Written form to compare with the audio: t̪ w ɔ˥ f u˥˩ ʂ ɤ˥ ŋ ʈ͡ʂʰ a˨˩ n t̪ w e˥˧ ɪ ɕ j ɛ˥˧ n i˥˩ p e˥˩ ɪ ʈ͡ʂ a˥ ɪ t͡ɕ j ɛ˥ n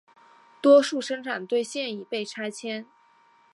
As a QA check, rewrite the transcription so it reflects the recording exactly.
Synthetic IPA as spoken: t̪ w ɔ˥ ʂ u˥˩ ʂ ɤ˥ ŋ ʈ͡ʂʰ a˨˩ n t̪ w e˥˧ ɪ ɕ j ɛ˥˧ n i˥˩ p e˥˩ ɪ ʈ͡ʂʰ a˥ ɪ t͡ɕʰ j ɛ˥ n

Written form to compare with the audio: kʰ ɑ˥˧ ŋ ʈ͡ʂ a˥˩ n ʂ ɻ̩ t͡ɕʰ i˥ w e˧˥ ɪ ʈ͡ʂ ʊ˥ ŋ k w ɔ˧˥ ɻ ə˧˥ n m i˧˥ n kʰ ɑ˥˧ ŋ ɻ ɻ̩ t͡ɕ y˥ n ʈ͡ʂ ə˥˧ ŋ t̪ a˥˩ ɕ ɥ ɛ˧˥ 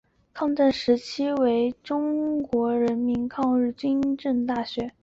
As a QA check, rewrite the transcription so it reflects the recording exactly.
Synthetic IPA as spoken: kʰ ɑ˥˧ ŋ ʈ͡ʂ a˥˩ n ʂ ɻ̩ t͡ɕʰ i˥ w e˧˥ ɪ ʈ͡ʂ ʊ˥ ŋ k w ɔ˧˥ ɻ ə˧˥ n m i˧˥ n kʰ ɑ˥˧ ŋ ɻ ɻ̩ t͡ɕ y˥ n ʈ͡ʂ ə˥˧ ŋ t̪ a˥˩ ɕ ɥ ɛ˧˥

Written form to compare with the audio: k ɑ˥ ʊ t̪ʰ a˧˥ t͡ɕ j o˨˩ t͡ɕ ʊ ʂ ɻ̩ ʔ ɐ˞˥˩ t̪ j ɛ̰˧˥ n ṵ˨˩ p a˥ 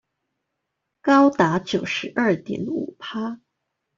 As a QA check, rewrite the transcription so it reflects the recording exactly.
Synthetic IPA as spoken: k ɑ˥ ʊ t̪ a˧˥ t͡ɕ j o˨˩ ʊ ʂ ɻ̩ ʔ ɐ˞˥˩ t̪ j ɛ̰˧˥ n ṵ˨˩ pʰ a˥

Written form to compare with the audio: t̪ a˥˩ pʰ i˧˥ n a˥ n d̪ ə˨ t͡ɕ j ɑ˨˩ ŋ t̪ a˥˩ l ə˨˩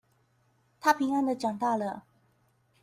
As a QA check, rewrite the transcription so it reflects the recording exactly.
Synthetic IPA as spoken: t̪ʰ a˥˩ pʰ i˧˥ ŋ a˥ n d̪ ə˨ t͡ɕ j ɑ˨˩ ŋ t̪ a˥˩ l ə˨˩

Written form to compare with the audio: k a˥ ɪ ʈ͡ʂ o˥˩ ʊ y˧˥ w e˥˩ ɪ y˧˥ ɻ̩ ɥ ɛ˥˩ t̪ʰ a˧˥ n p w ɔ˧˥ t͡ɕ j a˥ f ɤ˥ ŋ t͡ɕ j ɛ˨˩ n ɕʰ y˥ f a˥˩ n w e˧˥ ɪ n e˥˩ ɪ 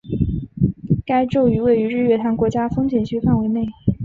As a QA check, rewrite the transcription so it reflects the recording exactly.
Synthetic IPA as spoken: k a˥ ɪ ʈ͡ʂ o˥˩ ʊ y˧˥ w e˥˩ ɪ y˧˥ ɻ̩ ɥ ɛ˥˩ t̪ʰ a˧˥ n k w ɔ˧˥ t͡ɕ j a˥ f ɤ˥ ŋ t͡ɕ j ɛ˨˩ n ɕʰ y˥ f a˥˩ n w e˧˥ ɪ n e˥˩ ɪ

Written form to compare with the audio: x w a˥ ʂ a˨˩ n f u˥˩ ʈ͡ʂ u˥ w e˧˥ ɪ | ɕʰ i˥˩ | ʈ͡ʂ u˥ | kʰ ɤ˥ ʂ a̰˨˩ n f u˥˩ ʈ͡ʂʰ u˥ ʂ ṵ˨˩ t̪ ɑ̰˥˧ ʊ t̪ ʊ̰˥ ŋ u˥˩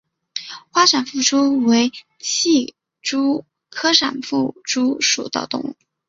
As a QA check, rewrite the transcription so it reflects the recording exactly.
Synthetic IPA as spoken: x w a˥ ʂ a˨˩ n f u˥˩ ʈ͡ʂ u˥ w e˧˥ ɪ | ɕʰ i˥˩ | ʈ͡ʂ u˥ | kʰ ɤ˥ ʂ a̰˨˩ n f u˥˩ ʈ͡ʂ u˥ ʂ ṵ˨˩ t̪ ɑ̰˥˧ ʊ t̪ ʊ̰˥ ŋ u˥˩

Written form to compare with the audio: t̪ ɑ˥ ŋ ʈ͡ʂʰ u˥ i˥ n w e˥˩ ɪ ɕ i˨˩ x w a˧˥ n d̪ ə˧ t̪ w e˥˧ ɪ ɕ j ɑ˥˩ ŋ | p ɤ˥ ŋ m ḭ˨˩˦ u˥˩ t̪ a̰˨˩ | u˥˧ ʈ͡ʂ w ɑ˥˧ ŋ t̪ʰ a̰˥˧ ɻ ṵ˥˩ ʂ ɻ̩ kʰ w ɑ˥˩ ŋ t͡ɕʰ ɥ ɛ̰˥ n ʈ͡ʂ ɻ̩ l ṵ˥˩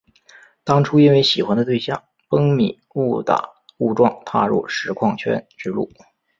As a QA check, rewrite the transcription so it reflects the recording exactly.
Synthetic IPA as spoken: t̪ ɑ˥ ŋ ʈ͡ʂʰ u˥ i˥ n w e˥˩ ɪ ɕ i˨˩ x w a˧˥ n d̪ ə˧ t̪ w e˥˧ ɪ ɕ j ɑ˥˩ ŋ | p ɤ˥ ŋ m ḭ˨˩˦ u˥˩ t̪ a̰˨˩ | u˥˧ ʈ͡ʂ w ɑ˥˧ ŋ t̪ʰ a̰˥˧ ɻ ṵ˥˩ ʂ ɻ̩ kʰ w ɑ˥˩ ŋ t͡ɕʰ ɥ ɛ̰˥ n ʈ͡ʂ ɻ̩ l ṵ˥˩

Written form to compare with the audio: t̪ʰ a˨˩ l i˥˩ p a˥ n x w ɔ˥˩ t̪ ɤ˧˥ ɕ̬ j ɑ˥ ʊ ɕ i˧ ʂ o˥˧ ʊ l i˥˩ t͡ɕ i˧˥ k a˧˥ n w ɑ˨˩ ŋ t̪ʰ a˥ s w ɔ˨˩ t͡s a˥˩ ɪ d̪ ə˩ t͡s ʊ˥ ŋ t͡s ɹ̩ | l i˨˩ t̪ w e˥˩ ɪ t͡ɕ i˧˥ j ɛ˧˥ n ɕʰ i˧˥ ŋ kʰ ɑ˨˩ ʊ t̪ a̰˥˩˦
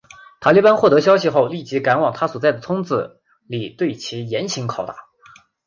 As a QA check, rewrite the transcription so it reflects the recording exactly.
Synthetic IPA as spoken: t̪ʰ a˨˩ l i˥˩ p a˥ n x w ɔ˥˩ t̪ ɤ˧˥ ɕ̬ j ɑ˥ ʊ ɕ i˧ x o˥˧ ʊ l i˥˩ t͡ɕ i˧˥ k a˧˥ n w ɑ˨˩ ŋ t̪ʰ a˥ s w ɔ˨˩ t͡s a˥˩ ɪ d̪ ə˩ t͡sʰ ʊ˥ ŋ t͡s ɹ̩ | l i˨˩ t̪ w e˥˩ ɪ t͡ɕʰ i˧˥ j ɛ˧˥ n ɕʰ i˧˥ ŋ kʰ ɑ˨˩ ʊ t̪ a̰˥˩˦

